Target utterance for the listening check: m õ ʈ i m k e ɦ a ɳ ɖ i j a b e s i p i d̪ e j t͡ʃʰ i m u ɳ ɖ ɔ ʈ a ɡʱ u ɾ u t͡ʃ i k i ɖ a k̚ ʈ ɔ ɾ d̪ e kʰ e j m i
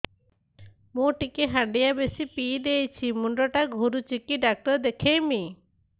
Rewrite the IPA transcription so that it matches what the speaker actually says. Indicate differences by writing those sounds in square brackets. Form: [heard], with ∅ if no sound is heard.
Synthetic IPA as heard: m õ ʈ i [∅] k e ɦ a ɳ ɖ i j a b e s i p i d̪ e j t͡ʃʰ i m u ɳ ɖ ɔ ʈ a ɡʱ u ɾ u t͡ʃ i k i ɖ a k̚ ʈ ɔ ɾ d̪ e kʰ e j m i